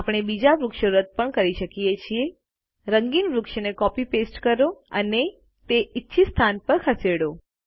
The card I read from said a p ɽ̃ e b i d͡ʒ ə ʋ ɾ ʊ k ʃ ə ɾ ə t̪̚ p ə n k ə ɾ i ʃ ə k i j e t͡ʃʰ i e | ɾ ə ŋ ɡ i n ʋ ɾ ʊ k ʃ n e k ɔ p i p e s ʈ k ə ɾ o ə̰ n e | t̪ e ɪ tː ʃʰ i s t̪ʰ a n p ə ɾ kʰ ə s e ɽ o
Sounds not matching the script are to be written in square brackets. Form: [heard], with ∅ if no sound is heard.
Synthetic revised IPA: a p ɽ̃ e b i d͡ʒ [a] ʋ ɾ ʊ k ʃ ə ɾ ə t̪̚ p ə [ɳ] k ə ɾ i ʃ ə k i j e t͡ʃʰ i e | ɾ ə ŋ ɡ i n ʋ ɾ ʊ k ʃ n e k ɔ p i p e s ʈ k ə ɾ o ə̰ n e | t̪ e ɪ tː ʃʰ i s t̪ʰ a n p ə ɾ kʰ ə s e ɽ o